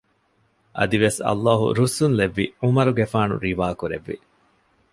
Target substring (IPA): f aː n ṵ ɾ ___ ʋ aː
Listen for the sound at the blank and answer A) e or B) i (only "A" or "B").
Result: B